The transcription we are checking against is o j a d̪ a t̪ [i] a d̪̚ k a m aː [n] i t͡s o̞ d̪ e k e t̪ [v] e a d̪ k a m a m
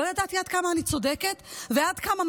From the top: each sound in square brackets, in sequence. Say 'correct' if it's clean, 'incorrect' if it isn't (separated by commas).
correct, correct, correct